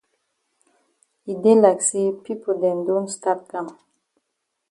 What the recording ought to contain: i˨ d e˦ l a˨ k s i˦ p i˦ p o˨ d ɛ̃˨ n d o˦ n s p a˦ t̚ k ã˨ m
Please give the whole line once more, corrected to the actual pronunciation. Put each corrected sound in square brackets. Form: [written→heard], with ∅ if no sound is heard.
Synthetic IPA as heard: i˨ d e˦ l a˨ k s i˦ p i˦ p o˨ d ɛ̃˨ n d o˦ n s [p→t] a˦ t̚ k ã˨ m